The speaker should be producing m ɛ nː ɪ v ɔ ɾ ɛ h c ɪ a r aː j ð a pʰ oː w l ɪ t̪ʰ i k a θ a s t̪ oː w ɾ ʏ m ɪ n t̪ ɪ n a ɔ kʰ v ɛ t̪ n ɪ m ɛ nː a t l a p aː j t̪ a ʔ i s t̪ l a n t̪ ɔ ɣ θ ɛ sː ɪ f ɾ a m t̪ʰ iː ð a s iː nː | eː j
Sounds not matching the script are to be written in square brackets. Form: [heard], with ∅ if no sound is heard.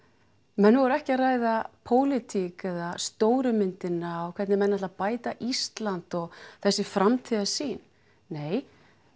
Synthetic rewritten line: m ɛ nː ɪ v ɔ ɾ ɛ h c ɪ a r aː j ð a pʰ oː w l ɪ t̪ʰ i k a [ð] a s t̪ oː w ɾ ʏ m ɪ n t̪ ɪ n a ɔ kʰ v ɛ t̪ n ɪ m ɛ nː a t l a p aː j t̪ a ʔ i s t̪ l a n t̪ ɔ ɣ θ ɛ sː ɪ f ɾ a m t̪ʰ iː ð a s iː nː | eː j